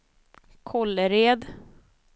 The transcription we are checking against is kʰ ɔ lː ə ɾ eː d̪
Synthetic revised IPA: kʰ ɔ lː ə ɾ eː d̪